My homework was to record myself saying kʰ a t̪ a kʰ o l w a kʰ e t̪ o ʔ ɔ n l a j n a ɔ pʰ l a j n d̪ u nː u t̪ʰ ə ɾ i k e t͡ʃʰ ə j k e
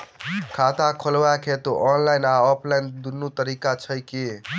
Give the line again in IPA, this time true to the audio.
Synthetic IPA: kʰ a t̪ a kʰ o l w a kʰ e t̪ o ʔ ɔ n l a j n a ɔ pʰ l a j n d̪ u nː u t̪ ə ɾ i k a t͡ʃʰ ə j k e